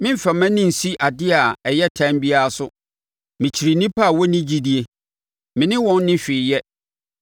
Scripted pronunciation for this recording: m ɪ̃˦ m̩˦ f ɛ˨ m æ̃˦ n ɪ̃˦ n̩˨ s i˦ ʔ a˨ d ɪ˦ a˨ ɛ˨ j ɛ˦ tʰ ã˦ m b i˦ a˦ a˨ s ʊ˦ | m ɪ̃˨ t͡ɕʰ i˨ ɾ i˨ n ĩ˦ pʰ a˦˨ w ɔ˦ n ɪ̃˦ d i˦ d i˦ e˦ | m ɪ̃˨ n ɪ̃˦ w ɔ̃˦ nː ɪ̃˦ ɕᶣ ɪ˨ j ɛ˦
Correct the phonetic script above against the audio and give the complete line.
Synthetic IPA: m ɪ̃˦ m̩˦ f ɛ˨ m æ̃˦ n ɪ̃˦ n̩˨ s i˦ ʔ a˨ d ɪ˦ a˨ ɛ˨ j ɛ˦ tʰ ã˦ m b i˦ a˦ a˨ s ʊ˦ | m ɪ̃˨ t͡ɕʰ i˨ ɾ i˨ n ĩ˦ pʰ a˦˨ w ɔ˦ n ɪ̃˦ d͡ʑ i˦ d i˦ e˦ | m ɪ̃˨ n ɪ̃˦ w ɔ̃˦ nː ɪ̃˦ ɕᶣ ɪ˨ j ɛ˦